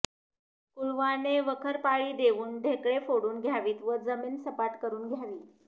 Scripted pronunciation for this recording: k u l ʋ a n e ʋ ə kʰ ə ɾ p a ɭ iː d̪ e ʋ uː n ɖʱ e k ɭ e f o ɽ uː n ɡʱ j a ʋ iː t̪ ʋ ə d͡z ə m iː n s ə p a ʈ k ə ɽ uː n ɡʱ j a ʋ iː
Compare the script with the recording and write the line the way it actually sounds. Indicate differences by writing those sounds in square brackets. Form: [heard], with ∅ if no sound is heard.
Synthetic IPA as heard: k u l ʋ a n e ʋ ə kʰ ə ɾ p a ɭ iː d̪ e ʋ uː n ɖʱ e k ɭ e f o ɽ uː n ɡʱ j a ʋ iː t̪ ʋ ə d͡z ə m iː n s ə p a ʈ k ə [ɾ] uː n ɡʱ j a ʋ iː